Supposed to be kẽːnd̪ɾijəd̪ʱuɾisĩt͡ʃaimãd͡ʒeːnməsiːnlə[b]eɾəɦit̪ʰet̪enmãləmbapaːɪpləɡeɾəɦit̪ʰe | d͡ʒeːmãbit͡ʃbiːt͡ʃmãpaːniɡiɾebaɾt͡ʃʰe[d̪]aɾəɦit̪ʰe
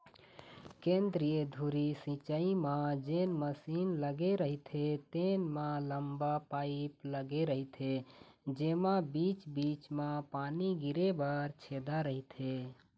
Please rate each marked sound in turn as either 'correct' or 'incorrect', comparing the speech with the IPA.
incorrect: ɡ, correct

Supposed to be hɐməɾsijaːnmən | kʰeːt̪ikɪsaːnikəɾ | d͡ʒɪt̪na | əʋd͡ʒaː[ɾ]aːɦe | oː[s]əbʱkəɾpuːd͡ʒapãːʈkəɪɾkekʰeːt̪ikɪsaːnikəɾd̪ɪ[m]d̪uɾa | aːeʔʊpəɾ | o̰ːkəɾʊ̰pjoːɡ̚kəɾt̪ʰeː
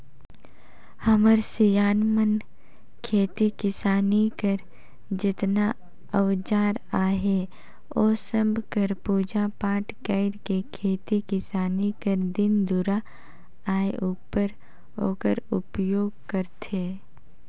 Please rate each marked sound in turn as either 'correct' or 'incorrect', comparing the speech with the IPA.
correct, correct, incorrect: n

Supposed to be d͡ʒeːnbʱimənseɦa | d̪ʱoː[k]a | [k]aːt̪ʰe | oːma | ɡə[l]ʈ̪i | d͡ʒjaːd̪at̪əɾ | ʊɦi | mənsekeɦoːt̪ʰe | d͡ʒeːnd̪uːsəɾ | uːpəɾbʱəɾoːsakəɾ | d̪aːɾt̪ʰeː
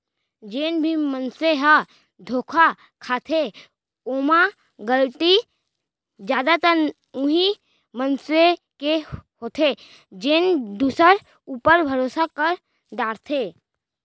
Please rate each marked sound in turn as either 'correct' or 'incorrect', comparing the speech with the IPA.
incorrect: kʰ, incorrect: kʰ, correct

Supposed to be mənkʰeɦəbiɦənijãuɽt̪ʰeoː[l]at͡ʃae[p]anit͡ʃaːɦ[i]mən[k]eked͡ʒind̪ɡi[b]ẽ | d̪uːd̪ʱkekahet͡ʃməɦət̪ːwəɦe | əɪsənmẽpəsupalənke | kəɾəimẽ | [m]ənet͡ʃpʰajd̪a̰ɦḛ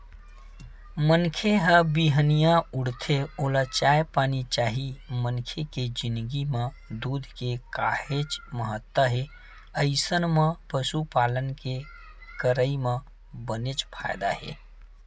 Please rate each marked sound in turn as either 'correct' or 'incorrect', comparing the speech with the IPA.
correct, correct, correct, incorrect: kʰ, incorrect: m, incorrect: b

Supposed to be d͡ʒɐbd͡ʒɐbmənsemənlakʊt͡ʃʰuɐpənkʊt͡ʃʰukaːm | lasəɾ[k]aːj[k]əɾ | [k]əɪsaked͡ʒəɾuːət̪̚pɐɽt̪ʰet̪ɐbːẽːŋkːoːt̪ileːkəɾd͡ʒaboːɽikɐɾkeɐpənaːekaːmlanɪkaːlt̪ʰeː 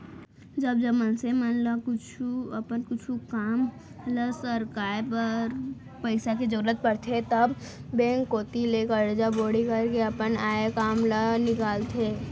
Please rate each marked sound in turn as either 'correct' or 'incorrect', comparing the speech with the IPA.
correct, incorrect: p, incorrect: p

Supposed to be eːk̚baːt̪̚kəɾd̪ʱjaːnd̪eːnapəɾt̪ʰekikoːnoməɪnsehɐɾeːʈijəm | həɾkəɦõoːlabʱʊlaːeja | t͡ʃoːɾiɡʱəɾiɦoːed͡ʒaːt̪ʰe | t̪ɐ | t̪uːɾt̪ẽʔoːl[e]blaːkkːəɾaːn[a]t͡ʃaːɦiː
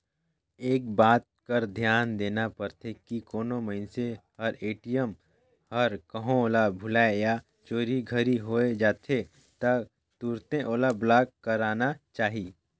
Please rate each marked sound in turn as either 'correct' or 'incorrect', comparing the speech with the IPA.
incorrect: a, correct

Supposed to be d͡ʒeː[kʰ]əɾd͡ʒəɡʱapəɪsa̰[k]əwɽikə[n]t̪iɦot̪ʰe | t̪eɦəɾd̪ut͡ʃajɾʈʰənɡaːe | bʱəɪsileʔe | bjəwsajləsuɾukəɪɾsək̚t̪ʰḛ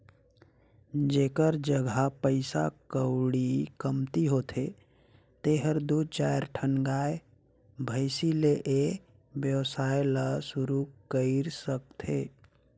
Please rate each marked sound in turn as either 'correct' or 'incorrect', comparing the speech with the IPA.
incorrect: k, correct, incorrect: m

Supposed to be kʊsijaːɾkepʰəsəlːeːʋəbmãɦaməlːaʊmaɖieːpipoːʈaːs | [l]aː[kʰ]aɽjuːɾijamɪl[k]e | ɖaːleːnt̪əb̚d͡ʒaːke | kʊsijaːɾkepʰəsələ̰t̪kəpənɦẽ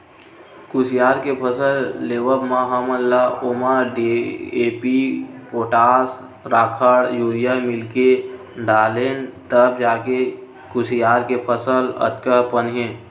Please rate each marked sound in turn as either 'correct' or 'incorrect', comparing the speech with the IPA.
incorrect: ɾ, correct, correct

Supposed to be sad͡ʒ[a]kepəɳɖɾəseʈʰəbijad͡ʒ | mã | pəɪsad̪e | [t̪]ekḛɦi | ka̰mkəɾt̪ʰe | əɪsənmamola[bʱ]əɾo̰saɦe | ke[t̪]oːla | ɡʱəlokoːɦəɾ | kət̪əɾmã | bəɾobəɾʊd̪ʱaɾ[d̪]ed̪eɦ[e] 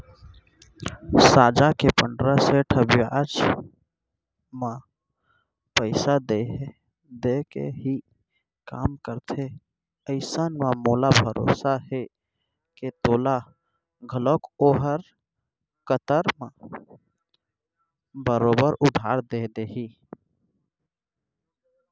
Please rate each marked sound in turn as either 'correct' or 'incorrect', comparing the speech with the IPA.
correct, incorrect: d̪, correct, correct, correct, incorrect: i

